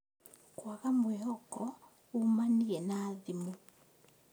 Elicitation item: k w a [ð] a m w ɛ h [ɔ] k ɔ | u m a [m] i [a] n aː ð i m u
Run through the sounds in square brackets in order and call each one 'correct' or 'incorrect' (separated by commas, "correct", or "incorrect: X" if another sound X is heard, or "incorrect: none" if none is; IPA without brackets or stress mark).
incorrect: ɣ, correct, incorrect: n, incorrect: ɛ